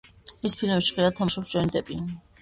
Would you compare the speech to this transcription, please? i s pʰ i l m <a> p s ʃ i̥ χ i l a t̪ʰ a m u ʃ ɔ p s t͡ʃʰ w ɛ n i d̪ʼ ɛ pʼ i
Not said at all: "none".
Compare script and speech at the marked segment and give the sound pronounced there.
ɛ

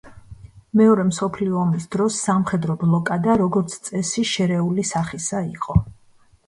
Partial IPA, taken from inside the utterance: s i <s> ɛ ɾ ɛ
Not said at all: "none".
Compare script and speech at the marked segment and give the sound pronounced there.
ʃ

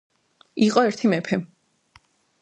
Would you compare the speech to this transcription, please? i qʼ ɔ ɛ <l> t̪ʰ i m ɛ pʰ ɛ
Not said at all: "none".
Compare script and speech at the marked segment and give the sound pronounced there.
ɾ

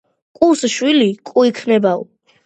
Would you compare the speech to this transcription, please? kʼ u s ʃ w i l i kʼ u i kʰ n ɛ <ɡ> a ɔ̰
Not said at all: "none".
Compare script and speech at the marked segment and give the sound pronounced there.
b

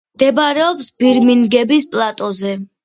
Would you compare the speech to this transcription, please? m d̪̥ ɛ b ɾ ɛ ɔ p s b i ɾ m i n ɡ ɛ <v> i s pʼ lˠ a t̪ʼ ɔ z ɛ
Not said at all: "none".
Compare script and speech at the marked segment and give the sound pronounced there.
b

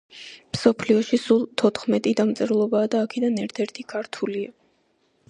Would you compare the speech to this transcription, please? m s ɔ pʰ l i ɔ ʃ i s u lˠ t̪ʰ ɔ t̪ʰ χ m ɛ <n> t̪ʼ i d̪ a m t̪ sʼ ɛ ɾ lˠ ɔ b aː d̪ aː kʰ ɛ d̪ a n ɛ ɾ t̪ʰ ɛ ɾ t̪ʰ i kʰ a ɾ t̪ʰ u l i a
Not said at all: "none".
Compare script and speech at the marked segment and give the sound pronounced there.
none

